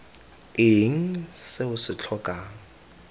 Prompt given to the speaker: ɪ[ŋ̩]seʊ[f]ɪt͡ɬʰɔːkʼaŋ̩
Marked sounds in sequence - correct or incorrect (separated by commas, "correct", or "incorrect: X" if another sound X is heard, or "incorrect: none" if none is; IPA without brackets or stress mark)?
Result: correct, incorrect: s